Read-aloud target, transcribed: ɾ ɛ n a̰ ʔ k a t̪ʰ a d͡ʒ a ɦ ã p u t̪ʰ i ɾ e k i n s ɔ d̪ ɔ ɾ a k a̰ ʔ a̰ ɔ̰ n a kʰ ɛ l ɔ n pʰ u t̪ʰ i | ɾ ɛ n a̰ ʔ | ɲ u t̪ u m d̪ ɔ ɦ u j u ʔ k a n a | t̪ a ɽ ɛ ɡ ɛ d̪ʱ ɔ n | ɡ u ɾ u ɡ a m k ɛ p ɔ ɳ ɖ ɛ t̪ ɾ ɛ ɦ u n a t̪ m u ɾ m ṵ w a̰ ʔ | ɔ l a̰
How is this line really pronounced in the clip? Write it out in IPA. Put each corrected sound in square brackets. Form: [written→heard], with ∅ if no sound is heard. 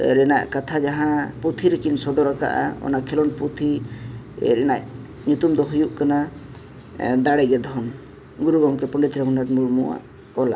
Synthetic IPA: ɾ ɛ n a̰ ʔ k a t̪ʰ a d͡ʒ a ɦ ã p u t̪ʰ i ɾ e k i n s ɔ d̪ ɔ ɾ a k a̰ ʔ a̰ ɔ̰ n a kʰ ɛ l ɔ n [pʰ→p] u t̪ʰ i | ɾ ɛ n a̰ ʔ | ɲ u t̪ u m d̪ ɔ ɦ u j u ʔ k a n a | [t̪→d̪] a ɽ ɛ ɡ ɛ d̪ʱ ɔ n | ɡ u ɾ u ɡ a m k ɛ p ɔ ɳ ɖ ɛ t̪ ɾ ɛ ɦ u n a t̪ m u ɾ m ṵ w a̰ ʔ | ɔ l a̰